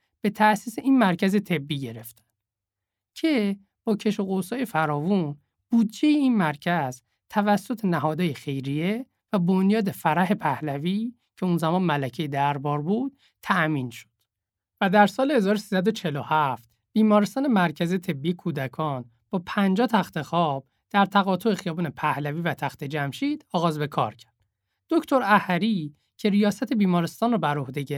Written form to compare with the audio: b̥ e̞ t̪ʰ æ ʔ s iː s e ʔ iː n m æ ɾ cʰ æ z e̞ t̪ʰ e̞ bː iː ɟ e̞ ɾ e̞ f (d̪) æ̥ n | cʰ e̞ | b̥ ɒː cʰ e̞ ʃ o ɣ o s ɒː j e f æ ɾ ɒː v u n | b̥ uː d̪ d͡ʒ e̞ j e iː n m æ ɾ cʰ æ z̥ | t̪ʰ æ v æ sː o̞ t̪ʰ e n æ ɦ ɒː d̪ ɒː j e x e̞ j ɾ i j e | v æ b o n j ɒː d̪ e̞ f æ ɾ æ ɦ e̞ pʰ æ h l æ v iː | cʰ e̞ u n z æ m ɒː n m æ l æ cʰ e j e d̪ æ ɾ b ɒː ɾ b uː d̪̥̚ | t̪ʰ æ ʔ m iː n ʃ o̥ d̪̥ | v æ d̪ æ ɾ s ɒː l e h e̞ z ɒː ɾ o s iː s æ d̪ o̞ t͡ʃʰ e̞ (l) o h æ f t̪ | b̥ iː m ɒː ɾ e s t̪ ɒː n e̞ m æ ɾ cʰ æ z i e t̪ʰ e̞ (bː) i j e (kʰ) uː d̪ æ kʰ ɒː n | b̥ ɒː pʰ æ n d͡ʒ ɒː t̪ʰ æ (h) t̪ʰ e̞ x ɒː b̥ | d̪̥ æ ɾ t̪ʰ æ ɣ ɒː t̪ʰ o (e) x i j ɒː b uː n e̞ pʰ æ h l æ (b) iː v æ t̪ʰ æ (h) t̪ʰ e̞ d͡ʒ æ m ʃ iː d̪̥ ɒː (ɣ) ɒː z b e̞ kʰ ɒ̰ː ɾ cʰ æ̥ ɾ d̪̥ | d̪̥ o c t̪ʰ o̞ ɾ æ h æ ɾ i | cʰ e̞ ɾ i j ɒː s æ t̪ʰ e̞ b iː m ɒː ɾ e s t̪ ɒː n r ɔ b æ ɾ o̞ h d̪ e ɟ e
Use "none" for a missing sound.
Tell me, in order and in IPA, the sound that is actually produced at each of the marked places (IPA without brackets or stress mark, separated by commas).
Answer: t̪, l, bː, kʰ, x, e, v, x, ɣ